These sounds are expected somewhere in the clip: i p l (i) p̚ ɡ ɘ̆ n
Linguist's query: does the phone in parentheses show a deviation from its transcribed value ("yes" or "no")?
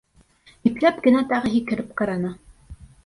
yes